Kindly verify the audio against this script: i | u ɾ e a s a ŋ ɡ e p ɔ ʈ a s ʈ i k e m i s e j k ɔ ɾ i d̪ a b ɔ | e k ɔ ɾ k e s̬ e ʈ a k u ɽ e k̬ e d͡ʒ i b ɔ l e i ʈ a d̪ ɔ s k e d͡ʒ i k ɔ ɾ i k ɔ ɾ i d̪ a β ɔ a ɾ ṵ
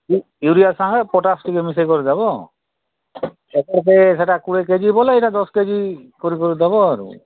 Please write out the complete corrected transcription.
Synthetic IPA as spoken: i | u ɾ i a s a ŋ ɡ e p ɔ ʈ a s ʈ i k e m i s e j k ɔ ɾ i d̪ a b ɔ | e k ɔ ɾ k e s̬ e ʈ a k u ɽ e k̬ e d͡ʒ i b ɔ l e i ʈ a d̪ ɔ s k e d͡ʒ i k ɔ ɾ i k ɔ ɾ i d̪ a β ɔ a ɾ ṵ